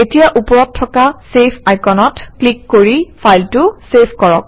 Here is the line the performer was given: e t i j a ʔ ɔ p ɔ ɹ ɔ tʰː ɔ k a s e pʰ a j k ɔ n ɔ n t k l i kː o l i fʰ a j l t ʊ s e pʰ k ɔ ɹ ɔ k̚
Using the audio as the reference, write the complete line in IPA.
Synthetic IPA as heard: e t i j a ʔ u p ɔ ɹ ɔ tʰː ɔ k a s e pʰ a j k ɔ n ɔ t k l i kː o ɹ i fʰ a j l t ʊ s e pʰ k ɔ ɹ ɔ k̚